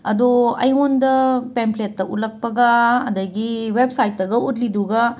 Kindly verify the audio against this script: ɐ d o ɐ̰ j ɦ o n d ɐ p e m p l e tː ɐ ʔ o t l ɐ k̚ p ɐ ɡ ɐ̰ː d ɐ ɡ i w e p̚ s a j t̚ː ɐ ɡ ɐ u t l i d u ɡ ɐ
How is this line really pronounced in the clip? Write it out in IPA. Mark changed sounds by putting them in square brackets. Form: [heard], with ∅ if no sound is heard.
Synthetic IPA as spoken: ɐ d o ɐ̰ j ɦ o n d ɐ p e m p l e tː ɐ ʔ [u] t l ɐ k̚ p ɐ ɡ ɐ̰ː d ɐ ɡ i w e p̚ s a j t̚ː ɐ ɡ ɐ u t l i d u ɡ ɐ